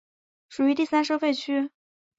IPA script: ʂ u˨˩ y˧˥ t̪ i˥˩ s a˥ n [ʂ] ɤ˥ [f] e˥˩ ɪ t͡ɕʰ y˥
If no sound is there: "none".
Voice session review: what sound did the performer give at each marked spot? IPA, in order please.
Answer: ʂ, f

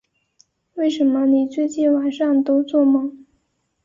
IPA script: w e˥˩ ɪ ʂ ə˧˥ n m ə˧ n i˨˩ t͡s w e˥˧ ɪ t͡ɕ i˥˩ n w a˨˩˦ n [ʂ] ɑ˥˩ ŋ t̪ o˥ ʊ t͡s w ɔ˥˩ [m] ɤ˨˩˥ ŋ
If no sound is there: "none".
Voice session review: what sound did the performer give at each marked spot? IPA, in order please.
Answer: ʂ, m

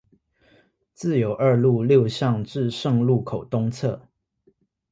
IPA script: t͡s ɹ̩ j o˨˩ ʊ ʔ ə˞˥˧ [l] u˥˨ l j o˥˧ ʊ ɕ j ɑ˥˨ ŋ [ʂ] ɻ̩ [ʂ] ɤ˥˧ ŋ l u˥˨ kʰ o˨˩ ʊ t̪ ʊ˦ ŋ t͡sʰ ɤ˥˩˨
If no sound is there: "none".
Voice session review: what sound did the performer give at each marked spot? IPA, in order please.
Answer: l, ʈ͡ʂ, ʂ

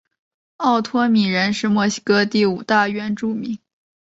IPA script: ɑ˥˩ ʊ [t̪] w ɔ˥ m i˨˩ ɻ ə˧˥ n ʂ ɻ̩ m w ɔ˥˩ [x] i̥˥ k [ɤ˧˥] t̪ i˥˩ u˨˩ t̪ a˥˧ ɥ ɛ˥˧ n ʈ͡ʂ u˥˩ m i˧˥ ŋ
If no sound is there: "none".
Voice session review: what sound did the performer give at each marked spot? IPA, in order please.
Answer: t̪ʰ, ɕ, ɤ˥

